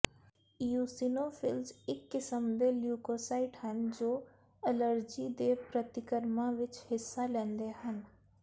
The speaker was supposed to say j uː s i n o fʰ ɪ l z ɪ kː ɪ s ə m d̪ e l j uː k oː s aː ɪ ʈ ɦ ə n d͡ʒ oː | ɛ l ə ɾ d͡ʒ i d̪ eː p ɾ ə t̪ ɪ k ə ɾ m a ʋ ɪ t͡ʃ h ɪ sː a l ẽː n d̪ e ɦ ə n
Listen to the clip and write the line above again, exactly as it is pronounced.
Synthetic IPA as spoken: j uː s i n o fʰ ɪ l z ɪ kː ɪ s ə m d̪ e l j uː k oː s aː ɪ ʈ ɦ ə n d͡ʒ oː | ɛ l ə ɾ d͡ʒ i d̪ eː p ɾ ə t̪ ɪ k ə ɾ m a ʋ ɪ t͡ʃ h ɪ sː a l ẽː n d̪ e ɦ ə n